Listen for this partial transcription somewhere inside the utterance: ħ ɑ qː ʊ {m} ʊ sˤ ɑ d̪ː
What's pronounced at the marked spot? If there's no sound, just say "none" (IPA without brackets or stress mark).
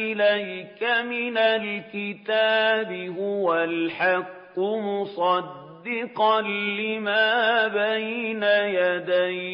m